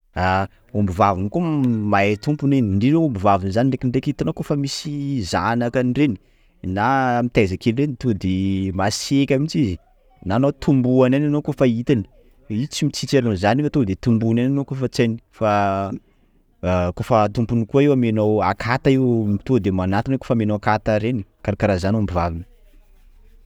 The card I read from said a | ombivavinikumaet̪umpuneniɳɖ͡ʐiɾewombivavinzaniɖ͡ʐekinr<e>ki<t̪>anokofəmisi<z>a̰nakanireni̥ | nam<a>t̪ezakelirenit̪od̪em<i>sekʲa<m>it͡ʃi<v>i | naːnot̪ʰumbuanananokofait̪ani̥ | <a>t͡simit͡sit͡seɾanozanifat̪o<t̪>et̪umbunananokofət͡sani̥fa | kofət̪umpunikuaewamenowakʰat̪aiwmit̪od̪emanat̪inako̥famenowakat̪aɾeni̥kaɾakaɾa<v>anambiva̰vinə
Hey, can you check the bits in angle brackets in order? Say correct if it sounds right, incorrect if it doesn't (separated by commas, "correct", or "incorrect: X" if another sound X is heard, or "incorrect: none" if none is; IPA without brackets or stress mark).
correct, correct, correct, incorrect: i, incorrect: a, correct, incorrect: z, incorrect: i, incorrect: d̪, incorrect: z